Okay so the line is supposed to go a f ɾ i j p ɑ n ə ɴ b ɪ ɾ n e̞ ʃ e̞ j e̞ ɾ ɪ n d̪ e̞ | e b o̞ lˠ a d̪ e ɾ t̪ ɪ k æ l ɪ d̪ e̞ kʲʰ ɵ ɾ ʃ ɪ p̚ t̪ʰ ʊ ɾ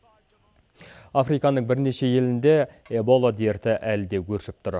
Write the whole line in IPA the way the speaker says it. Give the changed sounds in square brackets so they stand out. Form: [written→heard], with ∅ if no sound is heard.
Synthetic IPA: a f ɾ i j [p→k] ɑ n ə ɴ b ɪ ɾ n e̞ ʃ e̞ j e̞ [ɾ→l] ɪ n d̪ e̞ | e b o̞ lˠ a d̪ e ɾ t̪ ɪ [k→ʔ] æ l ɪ d̪ e̞ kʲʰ ɵ ɾ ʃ ɪ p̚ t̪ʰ ʊ ɾ